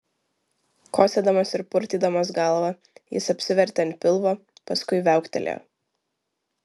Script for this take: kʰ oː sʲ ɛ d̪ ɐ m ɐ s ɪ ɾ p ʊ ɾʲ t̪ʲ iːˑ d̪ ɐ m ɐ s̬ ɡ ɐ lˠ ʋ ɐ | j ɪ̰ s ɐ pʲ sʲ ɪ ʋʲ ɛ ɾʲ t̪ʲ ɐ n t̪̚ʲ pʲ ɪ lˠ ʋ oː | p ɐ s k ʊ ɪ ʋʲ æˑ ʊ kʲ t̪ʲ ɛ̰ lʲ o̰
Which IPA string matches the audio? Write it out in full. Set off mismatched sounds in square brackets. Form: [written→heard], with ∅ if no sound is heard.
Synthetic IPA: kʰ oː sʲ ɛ d̪ ɐ m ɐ s ɪ ɾ p ʊ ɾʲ t̪ʲ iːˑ d̪ ɐ m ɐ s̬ ɡ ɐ lˠ ʋ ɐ | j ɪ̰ s ɐ pʲ sʲ ɪ ʋʲ ɛ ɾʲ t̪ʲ ɐ n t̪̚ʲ pʲ ɪ lˠ ʋ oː | p ɐ s k ʊ ɪ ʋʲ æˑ ʊ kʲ t̪ʲ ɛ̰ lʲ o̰

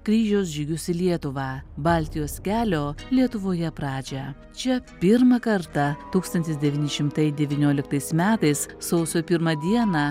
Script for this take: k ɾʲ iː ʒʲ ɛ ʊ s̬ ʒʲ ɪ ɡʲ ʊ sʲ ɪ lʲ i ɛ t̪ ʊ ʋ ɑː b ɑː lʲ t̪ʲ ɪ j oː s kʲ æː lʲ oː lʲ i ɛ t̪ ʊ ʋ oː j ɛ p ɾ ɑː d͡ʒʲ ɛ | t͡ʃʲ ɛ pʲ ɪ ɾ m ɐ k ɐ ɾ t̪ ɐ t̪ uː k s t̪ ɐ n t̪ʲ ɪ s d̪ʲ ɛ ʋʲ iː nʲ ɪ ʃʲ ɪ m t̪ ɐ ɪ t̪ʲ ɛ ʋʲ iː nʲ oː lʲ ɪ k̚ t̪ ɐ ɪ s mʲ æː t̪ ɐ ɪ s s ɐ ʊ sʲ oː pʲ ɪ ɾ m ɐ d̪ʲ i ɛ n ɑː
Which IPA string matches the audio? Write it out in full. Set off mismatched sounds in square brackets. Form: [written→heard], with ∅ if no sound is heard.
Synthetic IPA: k ɾʲ iː ʒʲ ɛ ʊ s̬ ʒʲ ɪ ɡʲ ʊ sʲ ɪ lʲ i ɛ t̪ ʊ ʋ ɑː b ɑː lʲ t̪ʲ ɪ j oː s kʲ æː lʲ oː lʲ i ɛ t̪ ʊ ʋ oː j ɛ p ɾ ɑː d͡ʒʲ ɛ | t͡ʃʲ ɛ pʲ ɪ ɾ m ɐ k ɐ ɾ t̪ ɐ t̪ uː k s t̪ ɐ n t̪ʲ ɪ s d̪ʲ ɛ ʋʲ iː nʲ ɪ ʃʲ ɪ m t̪ ɐ ɪ [t̪ʲ→d̪ʲ] ɛ ʋʲ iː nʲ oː lʲ ɪ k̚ t̪ ɐ ɪ s mʲ æː t̪ ɐ ɪ s s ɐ ʊ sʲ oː pʲ ɪ ɾ m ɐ d̪ʲ i ɛ n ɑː

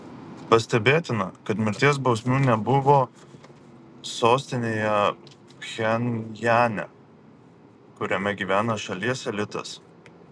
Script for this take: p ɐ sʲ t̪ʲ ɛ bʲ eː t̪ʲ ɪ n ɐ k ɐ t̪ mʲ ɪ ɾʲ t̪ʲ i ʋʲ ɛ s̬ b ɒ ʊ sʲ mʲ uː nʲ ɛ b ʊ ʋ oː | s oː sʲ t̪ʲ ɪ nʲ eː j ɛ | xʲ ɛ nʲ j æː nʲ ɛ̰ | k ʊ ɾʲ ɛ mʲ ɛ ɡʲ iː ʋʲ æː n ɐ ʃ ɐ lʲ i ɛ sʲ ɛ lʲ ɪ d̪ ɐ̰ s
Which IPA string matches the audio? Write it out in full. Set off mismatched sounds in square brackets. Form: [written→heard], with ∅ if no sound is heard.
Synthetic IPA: p ɐ sʲ t̪ʲ ɛ bʲ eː t̪ʲ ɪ n ɐ k ɐ t̪ mʲ ɪ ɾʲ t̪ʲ i [ʋʲ→∅] ɛ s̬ b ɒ ʊ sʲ mʲ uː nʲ ɛ b ʊ ʋ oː | s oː sʲ t̪ʲ ɪ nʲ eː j ɛ | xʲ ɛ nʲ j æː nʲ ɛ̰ | k ʊ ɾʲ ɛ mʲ ɛ ɡʲ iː ʋʲ æː n ɐ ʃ ɐ lʲ i ɛ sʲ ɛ lʲ ɪ [d̪→t̪] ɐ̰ s

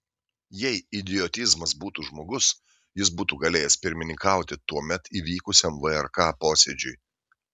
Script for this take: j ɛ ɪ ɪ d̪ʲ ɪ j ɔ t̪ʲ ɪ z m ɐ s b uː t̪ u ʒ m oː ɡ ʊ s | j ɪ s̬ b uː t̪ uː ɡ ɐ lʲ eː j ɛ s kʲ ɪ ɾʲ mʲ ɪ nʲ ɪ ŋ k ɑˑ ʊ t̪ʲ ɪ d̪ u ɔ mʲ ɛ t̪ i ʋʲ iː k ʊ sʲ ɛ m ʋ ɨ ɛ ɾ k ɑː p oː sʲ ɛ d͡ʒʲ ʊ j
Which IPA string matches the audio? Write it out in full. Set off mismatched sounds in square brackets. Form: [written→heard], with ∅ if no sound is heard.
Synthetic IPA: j ɛ ɪ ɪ d̪ʲ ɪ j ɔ t̪ʲ ɪ z m ɐ s b uː t̪ u ʒ m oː ɡ ʊ s | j ɪ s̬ b uː t̪ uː ɡ ɐ lʲ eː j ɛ s [kʲ→pʲ] ɪ ɾʲ mʲ ɪ nʲ ɪ ŋ k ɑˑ ʊ t̪ʲ ɪ [d̪→t̪] u ɔ mʲ ɛ t̪ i ʋʲ iː k ʊ sʲ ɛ m ʋ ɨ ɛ ɾ k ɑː p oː sʲ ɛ d͡ʒʲ ʊ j

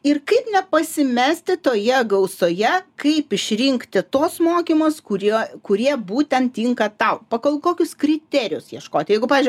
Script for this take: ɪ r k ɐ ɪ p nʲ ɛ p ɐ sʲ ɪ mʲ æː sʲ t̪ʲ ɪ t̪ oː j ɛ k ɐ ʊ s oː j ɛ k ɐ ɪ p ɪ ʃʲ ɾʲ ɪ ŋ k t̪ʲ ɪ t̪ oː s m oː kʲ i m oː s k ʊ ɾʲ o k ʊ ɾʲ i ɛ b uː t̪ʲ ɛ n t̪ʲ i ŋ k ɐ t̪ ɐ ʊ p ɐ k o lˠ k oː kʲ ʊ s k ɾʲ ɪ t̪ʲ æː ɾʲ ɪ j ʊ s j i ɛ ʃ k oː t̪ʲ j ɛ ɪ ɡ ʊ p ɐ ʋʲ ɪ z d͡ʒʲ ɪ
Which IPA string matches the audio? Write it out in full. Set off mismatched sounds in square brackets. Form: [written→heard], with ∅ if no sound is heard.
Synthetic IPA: ɪ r k ɐ ɪ p nʲ ɛ p ɐ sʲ ɪ mʲ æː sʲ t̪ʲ ɪ t̪ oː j ɛ [k→ɡ] ɐ ʊ s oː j ɛ k ɐ ɪ p ɪ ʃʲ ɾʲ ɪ ŋ k t̪ʲ ɪ t̪ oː s m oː kʲ i m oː s k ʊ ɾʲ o k ʊ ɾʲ i ɛ b uː t̪ʲ ɛ n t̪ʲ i ŋ k ɐ t̪ ɐ ʊ p ɐ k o lˠ k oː kʲ ʊ s k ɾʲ ɪ t̪ʲ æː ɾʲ ɪ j ʊ s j i ɛ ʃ k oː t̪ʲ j ɛ ɪ ɡ ʊ p [ɐ→ɑ] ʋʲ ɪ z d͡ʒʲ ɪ

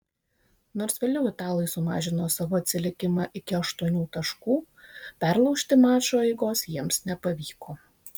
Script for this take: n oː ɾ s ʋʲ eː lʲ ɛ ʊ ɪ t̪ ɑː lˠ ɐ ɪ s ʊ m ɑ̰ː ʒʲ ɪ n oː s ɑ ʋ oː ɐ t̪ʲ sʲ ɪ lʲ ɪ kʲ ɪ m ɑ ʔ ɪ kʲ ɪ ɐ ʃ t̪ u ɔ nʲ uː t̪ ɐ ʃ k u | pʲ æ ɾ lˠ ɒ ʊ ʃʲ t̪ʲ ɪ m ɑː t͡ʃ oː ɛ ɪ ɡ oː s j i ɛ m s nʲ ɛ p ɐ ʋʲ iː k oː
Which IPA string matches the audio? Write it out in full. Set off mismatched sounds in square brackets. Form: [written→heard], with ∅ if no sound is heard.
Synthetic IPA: n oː ɾ s ʋʲ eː lʲ ɛ ʊ ɪ t̪ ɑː lˠ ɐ ɪ s ʊ m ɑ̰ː ʒʲ ɪ n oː s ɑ ʋ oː ɐ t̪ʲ sʲ ɪ lʲ ɪ kʲ ɪ m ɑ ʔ ɪ kʲ ɪ ɐ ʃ t̪ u ɔ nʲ uː t̪ ɐ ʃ k [u→uː] | pʲ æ ɾ lˠ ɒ ʊ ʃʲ t̪ʲ ɪ m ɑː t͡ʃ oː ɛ ɪ ɡ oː s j i ɛ m s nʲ ɛ p ɐ ʋʲ iː k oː

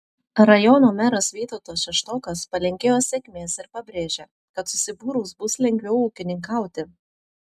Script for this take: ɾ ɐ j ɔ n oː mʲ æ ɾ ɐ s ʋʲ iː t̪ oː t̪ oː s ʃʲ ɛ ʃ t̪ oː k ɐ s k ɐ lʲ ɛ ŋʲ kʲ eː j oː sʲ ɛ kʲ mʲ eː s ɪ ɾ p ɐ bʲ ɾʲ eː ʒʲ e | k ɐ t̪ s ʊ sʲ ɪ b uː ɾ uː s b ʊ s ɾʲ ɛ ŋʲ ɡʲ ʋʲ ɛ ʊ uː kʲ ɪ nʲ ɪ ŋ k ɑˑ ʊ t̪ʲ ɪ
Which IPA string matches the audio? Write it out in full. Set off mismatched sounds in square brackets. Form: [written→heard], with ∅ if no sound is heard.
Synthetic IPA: ɾ ɐ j ɔ n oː mʲ æ ɾ ɐ s ʋʲ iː t̪ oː t̪ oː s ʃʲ ɛ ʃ t̪ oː k ɐ s [k→p] ɐ lʲ ɛ ŋʲ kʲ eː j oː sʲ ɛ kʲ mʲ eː s ɪ ɾ p ɐ bʲ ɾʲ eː ʒʲ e | k ɐ t̪ s ʊ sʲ ɪ b uː ɾ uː s b ʊ s [ɾʲ→lʲ] ɛ ŋʲ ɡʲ ʋʲ ɛ ʊ uː kʲ ɪ nʲ ɪ ŋ k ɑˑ ʊ t̪ʲ ɪ

